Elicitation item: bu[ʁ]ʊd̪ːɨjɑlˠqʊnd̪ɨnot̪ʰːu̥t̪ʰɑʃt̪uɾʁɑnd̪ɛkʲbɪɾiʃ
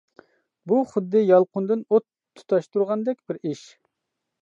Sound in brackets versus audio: incorrect: χ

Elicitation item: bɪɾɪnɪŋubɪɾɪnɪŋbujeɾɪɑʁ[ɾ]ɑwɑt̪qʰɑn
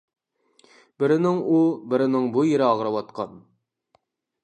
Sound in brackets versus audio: correct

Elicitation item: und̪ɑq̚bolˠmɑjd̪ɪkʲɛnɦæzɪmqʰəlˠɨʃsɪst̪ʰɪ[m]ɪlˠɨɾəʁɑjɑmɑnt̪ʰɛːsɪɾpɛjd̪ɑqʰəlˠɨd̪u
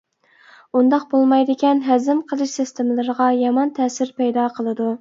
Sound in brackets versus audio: correct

